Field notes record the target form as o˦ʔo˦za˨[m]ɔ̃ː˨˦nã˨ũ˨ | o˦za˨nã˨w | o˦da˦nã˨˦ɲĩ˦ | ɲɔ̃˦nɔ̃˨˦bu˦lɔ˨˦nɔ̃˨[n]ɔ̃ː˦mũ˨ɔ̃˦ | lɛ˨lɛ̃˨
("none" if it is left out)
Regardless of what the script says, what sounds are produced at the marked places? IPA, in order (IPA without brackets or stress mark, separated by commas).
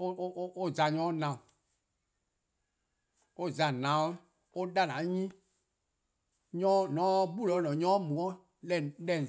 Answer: ɲ, ɲ